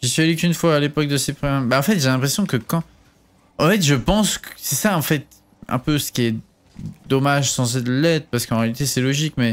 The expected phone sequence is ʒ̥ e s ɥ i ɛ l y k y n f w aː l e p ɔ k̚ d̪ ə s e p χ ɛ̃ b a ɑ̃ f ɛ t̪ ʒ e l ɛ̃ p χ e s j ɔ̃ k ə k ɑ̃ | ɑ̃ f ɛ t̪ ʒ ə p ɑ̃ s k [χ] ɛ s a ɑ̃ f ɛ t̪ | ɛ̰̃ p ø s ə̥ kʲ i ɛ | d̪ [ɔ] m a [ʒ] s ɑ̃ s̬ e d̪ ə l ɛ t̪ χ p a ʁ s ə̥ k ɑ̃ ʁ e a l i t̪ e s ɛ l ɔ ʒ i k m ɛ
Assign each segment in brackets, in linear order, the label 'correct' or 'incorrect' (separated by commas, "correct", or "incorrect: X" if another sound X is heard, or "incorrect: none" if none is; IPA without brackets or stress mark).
incorrect: s, correct, correct